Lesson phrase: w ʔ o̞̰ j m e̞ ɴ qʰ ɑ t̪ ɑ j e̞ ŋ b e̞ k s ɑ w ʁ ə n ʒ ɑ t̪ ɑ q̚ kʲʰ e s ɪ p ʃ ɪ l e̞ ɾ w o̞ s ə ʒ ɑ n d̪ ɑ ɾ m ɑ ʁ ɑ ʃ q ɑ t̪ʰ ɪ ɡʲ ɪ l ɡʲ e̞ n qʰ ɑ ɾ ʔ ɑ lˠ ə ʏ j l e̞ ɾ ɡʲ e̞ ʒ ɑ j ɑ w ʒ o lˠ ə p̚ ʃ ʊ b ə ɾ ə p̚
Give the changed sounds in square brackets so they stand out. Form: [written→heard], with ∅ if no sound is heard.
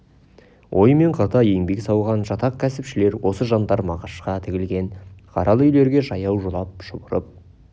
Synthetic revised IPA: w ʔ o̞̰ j m e̞ ɴ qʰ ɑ t̪ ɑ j e̞ ŋ b e̞ k s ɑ w ʁ [ə→ɑ] n ʒ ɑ t̪ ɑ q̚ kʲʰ [e→æ] s ɪ p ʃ ɪ l e̞ ɾ w o̞ s ə ʒ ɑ n d̪ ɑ ɾ m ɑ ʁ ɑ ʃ q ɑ t̪ʰ ɪ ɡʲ ɪ l ɡʲ e̞ n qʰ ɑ ɾ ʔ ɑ lˠ ə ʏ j l e̞ ɾ ɡʲ e̞ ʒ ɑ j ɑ w ʒ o lˠ [ə→ɑ] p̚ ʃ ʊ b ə ɾ ə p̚